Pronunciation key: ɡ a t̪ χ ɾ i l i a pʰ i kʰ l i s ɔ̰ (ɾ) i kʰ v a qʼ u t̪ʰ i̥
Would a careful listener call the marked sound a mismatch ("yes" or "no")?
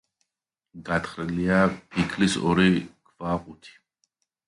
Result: no